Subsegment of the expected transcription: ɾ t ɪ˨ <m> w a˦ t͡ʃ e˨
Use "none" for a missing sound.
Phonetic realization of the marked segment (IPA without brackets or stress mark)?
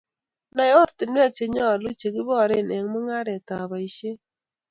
n